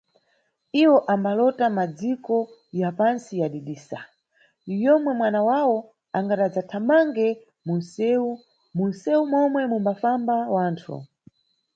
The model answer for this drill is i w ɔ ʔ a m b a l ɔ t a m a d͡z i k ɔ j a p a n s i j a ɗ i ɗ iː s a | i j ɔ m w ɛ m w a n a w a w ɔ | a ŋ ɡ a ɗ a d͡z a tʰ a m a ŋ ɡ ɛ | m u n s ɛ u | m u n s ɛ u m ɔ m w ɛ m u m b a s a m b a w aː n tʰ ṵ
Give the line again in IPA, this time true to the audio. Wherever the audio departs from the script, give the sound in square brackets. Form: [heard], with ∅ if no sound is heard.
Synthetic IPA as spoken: i w ɔ ʔ a m b a l ɔ t a m a d͡z i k ɔ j a p a n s i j a ɗ i ɗ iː s a | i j ɔ m w ɛ m w a n a w a w ɔ | a ŋ ɡ a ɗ a d͡z a tʰ a m a ŋ ɡ ɛ | m u n s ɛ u | m u n s ɛ u m ɔ m w ɛ m u m b a [f] a m b a w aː n tʰ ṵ

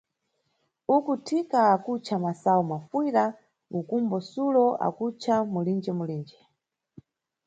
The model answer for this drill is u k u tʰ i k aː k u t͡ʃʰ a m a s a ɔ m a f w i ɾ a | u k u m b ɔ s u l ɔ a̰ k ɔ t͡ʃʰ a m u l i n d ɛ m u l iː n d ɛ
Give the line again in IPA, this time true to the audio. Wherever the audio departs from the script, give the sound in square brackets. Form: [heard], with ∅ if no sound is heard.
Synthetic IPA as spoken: u k u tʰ i k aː k u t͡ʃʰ a m a s a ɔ m a f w i ɾ a | u k u m b ɔ s u l ɔ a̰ k [u] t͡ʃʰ a m u l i n [d͡ʒ] ɛ m u l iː n [d͡ʒ] ɛ

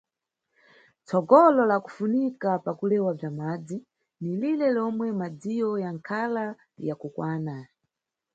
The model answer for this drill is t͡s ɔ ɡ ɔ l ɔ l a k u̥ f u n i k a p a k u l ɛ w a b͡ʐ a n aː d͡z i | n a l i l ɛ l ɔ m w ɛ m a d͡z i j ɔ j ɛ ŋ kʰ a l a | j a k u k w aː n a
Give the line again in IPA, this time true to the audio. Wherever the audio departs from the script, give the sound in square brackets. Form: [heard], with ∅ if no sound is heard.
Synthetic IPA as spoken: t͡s ɔ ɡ ɔ l ɔ l a k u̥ f u n i k a p a k u l ɛ w a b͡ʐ a [m] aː d͡z i | n [i] l i l ɛ l ɔ m w ɛ m a d͡z i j ɔ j [a] ŋ kʰ a l a | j a k u k w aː n a

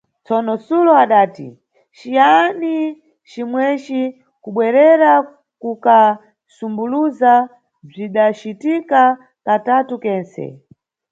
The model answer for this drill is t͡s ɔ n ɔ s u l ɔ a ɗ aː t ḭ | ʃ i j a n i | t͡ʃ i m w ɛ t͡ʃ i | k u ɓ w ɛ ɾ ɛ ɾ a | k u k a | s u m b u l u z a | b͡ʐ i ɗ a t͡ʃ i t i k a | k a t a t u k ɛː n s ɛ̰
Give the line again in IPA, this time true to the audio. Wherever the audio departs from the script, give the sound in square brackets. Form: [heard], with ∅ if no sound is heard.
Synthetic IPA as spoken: t͡s ɔ n ɔ s u l ɔ a ɗ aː t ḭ | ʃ i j a n i | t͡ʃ i m w ɛ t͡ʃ i | k u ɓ w ɛ ɾ ɛ ɾ a | k u k a | s u m b u l u z a | b͡ʐ i ɗ a t͡ʃ i t i k a | k a t a t u k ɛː n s ɛ̰

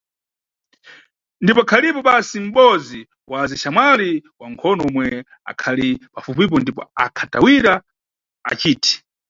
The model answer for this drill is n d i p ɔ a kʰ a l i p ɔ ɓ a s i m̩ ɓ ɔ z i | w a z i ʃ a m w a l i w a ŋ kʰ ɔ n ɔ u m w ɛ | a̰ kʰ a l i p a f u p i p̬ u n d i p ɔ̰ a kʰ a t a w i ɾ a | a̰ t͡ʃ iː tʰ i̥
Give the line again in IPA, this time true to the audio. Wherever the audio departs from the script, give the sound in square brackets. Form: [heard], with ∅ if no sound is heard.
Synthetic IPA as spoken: n d i p ɔ a kʰ a l i p ɔ ɓ a s i m̩ ɓ ɔ z i | w a z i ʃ a m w a l i w a ŋ kʰ ɔ n ɔ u m w ɛ | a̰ kʰ a l i p a f u p i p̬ [ɔ] n d i p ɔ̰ a kʰ a t a w i ɾ a | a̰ t͡ʃ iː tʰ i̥

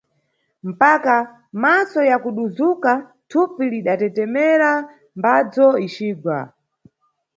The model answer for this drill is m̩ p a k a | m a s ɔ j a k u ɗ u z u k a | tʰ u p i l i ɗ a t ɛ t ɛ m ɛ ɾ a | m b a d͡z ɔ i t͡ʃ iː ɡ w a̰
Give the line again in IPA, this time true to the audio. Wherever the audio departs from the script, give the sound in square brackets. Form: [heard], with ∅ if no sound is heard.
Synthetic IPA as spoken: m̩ p a k a | m a s ɔ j a k u ɗ u z u k a | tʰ u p i l i ɗ a t ɛ t ɛ m ɛ ɾ a | m b a d͡z ɔ i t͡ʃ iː ɡ w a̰

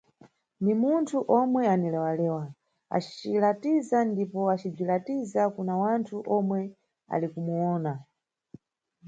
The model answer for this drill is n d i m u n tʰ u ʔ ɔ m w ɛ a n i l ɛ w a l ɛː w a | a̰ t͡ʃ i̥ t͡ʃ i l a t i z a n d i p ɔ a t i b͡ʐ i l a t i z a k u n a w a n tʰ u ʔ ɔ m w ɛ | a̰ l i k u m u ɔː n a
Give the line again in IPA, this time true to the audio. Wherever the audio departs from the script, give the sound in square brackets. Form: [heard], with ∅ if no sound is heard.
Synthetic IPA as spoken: n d i m u n tʰ u ʔ ɔ m w ɛ a n i l ɛ w a l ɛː w a | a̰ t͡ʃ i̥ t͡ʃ i l a t i z a n d i p ɔ a [t͡ʃ] i b͡ʐ i l a t i z a k u n a w a n tʰ u ʔ ɔ m w ɛ | a̰ l i k u m u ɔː n a

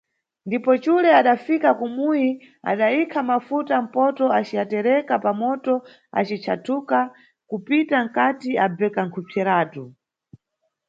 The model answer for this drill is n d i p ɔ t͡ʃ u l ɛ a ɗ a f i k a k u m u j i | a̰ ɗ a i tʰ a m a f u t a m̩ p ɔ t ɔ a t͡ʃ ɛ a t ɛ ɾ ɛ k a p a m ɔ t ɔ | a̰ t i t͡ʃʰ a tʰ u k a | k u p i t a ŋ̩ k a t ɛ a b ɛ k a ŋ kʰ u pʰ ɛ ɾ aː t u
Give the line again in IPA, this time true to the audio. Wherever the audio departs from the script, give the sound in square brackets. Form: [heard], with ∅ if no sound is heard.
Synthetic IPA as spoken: n d i p ɔ t͡ʃ u l ɛ a ɗ a f i k a k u m u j i | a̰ ɗ a i [kʰ] a m a f u t a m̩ p ɔ t ɔ a t͡ʃ [i] a t ɛ ɾ ɛ k a p a m ɔ t ɔ | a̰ [t͡ʃ] i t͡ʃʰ a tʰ u k a | k u p i t a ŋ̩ k a t [i] a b ɛ k a ŋ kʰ u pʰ ɛ ɾ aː t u

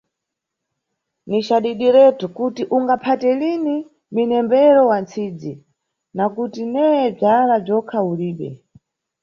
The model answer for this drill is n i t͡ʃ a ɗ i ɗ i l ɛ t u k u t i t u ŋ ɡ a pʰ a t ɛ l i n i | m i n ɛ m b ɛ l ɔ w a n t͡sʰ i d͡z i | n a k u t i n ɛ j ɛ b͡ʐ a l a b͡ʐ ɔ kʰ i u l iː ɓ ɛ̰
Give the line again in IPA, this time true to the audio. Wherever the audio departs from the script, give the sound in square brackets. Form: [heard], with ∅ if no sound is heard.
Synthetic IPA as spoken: n i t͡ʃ a ɗ i ɗ i [ɾ] ɛ t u k u t i [ʔ] u ŋ ɡ a pʰ a t ɛ l i n i | m i n ɛ m b ɛ [ɾ] ɔ w a n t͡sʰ i d͡z i | n a k u t i n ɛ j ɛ b͡ʐ a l a b͡ʐ ɔ kʰ [a] u l iː ɓ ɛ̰

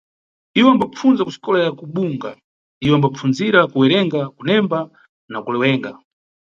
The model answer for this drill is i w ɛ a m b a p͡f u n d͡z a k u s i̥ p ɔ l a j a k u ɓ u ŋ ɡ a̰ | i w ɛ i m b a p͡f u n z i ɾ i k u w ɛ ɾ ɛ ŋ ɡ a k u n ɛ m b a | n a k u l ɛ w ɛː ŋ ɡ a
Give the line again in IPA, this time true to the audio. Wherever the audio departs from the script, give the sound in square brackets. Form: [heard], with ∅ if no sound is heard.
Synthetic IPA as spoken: i w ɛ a m b a p͡f u n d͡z a k u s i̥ [k] ɔ l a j a k u ɓ u ŋ ɡ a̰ | i w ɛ [a] m b a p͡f u n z i ɾ [a] k u w ɛ ɾ ɛ ŋ ɡ a k u n ɛ m b a | n a k u l ɛ w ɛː ŋ ɡ a

